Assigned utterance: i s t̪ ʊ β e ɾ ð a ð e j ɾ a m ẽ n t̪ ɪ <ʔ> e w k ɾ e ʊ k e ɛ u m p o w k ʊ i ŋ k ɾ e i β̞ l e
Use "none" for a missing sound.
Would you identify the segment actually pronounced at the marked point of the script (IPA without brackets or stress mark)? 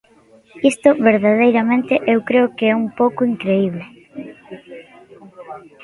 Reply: ʔ